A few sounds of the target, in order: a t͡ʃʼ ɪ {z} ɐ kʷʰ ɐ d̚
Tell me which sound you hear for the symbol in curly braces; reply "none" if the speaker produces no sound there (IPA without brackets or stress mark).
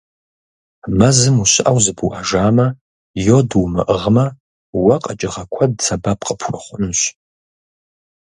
ʁ